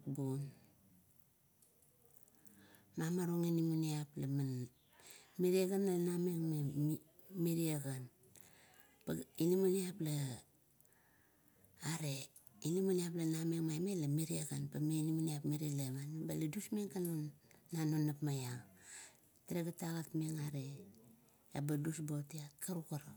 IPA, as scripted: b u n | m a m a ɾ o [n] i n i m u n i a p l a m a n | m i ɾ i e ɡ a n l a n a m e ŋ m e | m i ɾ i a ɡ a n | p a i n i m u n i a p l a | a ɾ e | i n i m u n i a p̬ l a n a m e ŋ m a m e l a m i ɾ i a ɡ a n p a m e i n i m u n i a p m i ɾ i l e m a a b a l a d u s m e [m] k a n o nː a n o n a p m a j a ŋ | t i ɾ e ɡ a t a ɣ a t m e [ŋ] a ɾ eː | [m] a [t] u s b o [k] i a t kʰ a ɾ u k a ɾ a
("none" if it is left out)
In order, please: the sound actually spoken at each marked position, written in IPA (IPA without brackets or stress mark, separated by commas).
ŋ, ŋ, ŋ, b, d, t